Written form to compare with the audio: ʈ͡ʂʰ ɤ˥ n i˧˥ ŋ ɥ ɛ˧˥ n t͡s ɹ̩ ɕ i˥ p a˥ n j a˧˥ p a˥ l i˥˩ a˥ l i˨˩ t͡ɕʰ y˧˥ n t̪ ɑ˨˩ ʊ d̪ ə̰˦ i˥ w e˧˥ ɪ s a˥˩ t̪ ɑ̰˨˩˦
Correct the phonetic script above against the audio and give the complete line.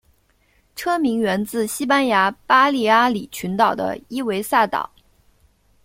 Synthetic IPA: ʈ͡ʂʰ ɤ˥ m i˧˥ ŋ ɥ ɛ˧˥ n t͡s ɹ̩ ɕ i˥ p a˥ n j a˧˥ p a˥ l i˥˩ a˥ l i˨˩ t͡ɕʰ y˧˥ n t̪ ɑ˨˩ ʊ d̪ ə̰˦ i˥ w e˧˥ ɪ s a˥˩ t̪ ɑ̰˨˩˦